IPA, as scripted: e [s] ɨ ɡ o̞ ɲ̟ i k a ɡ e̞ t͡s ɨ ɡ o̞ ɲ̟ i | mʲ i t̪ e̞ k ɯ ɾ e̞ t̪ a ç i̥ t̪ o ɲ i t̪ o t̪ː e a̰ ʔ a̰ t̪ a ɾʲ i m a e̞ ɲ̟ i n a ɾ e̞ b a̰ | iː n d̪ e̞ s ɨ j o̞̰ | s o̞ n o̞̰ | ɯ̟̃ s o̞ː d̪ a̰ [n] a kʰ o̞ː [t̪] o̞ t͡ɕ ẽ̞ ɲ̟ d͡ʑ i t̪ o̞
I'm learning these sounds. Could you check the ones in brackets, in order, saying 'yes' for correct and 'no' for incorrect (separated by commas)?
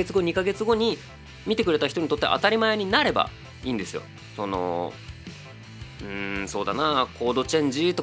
no, yes, no